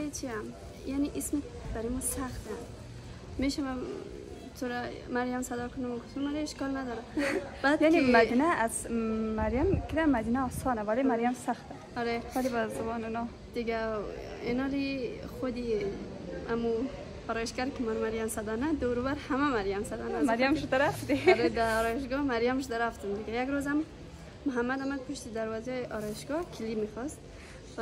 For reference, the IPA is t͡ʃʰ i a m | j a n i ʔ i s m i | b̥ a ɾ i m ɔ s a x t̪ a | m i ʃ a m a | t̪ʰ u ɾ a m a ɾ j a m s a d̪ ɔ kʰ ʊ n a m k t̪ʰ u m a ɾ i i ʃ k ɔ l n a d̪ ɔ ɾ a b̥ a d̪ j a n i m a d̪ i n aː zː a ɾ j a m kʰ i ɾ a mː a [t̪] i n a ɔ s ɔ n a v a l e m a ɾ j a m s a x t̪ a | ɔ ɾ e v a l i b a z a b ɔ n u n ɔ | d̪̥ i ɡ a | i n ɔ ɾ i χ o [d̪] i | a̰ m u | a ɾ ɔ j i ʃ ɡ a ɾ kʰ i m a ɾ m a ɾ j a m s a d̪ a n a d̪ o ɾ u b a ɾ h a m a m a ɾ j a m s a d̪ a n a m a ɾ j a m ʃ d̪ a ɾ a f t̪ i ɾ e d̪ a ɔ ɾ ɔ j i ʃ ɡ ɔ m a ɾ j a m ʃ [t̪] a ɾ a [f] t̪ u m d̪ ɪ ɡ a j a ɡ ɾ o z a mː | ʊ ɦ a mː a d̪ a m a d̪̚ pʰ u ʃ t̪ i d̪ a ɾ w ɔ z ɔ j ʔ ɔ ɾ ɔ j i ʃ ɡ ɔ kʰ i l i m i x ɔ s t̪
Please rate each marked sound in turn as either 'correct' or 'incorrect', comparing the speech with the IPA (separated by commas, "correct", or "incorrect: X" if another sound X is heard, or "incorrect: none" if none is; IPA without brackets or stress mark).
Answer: incorrect: d̪, correct, incorrect: d̪, correct